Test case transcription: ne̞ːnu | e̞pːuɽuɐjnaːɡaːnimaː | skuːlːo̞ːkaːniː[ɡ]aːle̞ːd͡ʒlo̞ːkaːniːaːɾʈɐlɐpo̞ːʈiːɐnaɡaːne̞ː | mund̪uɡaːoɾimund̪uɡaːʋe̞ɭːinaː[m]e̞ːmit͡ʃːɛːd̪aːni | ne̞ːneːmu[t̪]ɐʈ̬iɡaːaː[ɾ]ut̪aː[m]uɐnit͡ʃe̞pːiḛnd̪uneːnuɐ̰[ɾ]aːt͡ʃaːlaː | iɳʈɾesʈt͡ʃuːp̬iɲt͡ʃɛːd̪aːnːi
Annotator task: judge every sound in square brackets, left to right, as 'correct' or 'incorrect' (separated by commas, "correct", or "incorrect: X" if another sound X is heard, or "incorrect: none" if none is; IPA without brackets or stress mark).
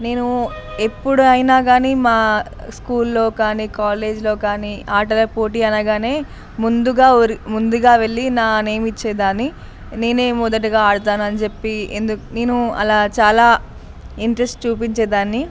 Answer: incorrect: k, incorrect: n, incorrect: d̪, incorrect: ɽ, incorrect: n, incorrect: l